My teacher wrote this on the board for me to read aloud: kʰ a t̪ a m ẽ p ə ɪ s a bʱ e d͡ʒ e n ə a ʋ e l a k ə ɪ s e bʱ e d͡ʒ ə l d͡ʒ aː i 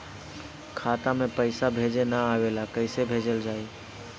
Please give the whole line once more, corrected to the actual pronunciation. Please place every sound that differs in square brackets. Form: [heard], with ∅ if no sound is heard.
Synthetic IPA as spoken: kʰ a t̪ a m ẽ p ə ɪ s a bʱ e d͡ʒ e n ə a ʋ e l a k ə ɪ s e bʱ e d͡ʒ ə l d͡ʒ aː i

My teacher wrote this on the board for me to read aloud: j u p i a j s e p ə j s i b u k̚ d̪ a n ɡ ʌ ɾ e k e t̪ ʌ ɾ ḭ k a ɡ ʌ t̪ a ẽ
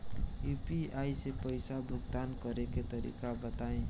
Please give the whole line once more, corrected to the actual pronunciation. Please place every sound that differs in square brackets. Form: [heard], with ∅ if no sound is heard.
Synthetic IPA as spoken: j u p i a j s e p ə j s [a] b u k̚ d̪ a n [k] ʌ ɾ e k e t̪ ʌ ɾ ḭ k a [b] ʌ t̪ a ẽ

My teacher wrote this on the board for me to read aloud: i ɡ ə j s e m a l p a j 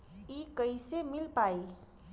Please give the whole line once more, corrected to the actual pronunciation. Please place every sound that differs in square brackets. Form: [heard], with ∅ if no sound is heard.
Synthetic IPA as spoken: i [k] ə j s e m [i] l p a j

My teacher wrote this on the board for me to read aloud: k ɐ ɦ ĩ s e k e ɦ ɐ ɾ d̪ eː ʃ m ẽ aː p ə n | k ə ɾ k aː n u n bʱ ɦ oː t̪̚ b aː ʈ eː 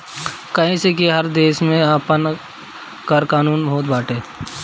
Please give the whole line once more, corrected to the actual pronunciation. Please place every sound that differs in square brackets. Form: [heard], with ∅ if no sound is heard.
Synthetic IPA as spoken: k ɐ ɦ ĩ s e k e ɦ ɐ ɾ d̪ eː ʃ m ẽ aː p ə n | k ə ɾ k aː n [uː] n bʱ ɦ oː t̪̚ b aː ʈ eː

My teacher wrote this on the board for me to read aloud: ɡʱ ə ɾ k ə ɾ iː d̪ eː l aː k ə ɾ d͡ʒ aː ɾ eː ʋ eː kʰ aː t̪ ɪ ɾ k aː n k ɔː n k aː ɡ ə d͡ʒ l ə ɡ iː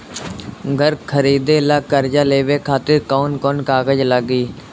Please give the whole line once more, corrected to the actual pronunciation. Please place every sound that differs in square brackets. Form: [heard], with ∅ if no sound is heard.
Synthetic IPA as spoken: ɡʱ ə ɾ [kʰ] ə ɾ iː d̪ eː l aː k ə ɾ d͡ʒ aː [l] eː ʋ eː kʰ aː t̪ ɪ ɾ k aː n k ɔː n k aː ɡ ə d͡ʒ l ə ɡ iː

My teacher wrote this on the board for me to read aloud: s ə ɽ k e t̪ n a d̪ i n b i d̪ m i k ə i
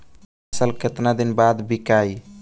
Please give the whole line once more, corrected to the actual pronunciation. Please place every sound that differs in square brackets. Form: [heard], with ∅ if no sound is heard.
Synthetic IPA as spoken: s ə [l] k e t̪ n a d̪ i n b [a] d̪ [b] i k [a] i

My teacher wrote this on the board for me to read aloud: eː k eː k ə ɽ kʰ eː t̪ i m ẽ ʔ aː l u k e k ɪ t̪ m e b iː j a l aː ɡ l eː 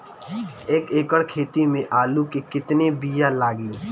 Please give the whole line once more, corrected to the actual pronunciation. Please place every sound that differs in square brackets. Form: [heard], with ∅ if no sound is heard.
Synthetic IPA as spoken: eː k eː k ə ɽ kʰ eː t̪ i m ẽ ʔ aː l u k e k ɪ t̪ [n] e b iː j a l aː ɡ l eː

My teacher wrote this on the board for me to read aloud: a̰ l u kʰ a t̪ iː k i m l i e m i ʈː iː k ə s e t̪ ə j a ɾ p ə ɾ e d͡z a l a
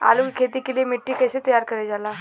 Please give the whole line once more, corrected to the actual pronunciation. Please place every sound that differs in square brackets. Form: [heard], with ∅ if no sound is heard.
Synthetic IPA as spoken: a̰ l u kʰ [e] t̪ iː k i [∅] l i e m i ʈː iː k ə s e t̪ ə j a ɾ [k] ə ɾ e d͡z a l a

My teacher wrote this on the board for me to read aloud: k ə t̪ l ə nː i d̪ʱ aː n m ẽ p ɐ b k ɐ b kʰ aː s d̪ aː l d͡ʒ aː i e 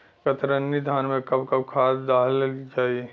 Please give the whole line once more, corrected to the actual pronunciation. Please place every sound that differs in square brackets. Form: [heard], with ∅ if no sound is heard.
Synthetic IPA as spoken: k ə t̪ [ɾ] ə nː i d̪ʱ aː n m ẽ [k] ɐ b k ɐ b kʰ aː s d̪ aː l d͡ʒ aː i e

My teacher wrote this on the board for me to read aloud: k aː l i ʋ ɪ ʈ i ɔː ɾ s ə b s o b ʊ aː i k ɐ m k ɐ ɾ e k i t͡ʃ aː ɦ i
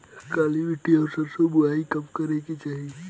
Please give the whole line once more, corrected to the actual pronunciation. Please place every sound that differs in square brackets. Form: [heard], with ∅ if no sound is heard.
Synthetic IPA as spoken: k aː l i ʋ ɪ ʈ i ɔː ɾ s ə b s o b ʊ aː i k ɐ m k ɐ ɾ e k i t͡ʃ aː ɦ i

